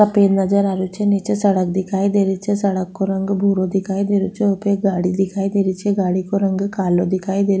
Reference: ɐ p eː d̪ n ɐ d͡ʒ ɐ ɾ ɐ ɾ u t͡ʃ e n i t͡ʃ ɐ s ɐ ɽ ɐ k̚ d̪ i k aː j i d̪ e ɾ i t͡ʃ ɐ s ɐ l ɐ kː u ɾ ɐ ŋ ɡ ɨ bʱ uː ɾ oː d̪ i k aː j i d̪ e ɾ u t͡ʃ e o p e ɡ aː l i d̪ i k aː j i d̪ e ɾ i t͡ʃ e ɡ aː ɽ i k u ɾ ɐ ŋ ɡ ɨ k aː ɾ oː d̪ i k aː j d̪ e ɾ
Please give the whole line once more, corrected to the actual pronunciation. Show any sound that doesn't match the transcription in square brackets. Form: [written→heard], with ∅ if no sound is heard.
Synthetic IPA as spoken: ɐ p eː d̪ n ɐ d͡ʒ ɐ ɾ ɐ ɾ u t͡ʃ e n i t͡ʃ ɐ s ɐ ɽ ɐ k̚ d̪ i k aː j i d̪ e ɾ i t͡ʃ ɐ s ɐ [l→ɽ] ɐ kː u ɾ ɐ ŋ ɡ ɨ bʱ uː ɾ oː d̪ i k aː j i d̪ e ɾ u t͡ʃ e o p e ɡ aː [l→ɽ] i d̪ i k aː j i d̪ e ɾ i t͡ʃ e ɡ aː ɽ i k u ɾ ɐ ŋ ɡ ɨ k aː [ɾ→l] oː d̪ i k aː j d̪ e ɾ